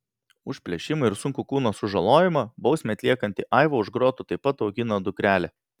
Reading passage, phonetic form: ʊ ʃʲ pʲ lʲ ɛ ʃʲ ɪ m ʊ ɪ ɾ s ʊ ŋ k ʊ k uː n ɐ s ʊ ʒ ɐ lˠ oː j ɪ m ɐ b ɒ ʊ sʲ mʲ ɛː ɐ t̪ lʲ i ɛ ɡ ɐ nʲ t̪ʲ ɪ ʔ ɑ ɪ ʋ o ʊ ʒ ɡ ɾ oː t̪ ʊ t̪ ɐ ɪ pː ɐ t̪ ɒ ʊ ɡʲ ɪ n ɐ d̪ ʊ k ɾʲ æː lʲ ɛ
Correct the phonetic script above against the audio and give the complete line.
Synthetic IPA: ʊ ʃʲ pʲ lʲ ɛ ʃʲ ɪ m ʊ ɪ ɾ s ʊ ŋ k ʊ k uː n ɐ s ʊ ʒ ɐ lˠ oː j ɪ m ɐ b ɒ ʊ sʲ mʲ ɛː ɐ t̪ lʲ i ɛ k ɐ nʲ t̪ʲ ɪ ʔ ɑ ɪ ʋ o ʊ ʒ ɡ ɾ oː t̪ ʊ t̪ ɐ ɪ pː ɐ t̪ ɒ ʊ ɡʲ ɪ n ɐ d̪ ʊ k ɾʲ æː lʲ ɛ